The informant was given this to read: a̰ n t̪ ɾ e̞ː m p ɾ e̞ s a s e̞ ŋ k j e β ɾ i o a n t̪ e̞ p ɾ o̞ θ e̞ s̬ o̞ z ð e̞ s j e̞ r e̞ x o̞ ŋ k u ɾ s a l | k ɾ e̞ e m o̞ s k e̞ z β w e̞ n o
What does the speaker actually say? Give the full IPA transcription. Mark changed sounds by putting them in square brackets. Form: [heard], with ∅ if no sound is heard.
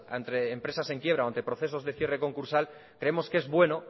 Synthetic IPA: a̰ n t̪ ɾ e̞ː m p ɾ e̞ s a s e̞ ŋ k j e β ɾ [a] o a n t̪ e̞ p ɾ o̞ θ e̞ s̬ o̞ z ð e̞ [θ] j e̞ r e̞ [k] o̞ ŋ k u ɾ s a l | k ɾ e̞ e m o̞ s k e̞ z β w e̞ n o